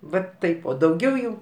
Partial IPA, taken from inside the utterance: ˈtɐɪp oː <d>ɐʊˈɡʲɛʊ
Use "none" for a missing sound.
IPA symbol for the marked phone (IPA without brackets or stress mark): d